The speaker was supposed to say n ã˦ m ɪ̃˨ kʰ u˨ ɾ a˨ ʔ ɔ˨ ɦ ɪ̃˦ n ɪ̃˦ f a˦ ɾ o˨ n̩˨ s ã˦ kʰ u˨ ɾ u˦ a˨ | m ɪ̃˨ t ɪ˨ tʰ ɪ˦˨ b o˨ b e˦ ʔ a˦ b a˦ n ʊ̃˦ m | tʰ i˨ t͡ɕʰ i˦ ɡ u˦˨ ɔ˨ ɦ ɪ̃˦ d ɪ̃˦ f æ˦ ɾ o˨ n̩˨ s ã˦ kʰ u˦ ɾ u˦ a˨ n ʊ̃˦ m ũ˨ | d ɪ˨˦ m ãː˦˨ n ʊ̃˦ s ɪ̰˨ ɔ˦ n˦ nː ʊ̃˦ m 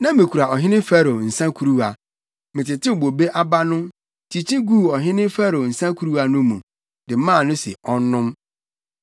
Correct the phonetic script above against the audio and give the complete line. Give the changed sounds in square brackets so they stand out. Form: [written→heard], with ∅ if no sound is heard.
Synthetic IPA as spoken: n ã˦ m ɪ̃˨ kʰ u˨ ɾ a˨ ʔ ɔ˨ ɦ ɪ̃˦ n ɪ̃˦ f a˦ ɾ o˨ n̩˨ s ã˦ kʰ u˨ ɾ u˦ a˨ | m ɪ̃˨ t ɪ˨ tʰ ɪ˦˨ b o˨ b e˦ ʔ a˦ b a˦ n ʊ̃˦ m | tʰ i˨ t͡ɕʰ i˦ ɡ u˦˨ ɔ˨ ɦ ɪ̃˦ [d→n] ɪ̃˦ f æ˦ ɾ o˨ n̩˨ s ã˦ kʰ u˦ ɾ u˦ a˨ n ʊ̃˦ m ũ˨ | d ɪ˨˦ m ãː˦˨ n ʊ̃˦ s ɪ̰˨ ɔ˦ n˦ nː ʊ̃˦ m